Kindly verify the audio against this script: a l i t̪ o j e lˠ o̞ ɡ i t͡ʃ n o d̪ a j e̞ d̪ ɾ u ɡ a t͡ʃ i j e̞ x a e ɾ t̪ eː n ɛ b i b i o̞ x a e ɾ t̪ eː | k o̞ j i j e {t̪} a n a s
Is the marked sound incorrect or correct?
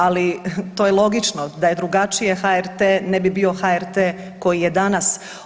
incorrect